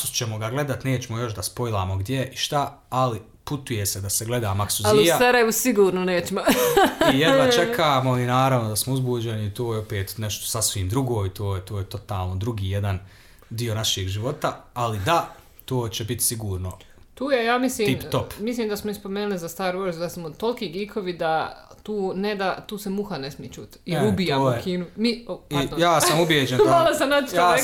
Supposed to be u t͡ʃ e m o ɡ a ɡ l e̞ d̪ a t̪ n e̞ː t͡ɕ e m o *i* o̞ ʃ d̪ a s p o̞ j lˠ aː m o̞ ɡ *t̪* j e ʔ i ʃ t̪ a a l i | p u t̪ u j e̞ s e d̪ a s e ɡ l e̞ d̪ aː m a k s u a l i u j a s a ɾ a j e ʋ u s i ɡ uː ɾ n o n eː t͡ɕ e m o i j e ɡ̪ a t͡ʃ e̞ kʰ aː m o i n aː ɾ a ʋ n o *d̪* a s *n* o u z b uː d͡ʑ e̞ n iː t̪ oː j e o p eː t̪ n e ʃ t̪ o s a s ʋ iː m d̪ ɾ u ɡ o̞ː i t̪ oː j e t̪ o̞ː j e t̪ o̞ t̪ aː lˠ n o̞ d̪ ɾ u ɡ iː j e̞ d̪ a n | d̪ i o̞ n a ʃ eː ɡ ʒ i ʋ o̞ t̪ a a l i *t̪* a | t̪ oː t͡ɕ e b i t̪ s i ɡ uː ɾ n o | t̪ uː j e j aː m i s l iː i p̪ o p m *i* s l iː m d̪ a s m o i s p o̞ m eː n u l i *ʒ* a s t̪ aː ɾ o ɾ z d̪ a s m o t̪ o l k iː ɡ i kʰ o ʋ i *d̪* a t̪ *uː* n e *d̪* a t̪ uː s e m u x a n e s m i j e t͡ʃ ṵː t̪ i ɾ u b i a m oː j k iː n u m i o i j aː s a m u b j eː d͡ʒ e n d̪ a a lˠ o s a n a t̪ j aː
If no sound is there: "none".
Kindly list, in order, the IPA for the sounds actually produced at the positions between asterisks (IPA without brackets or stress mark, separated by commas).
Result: j, d̪, d̪, m, d̪, i, z, d̪, uː, d̪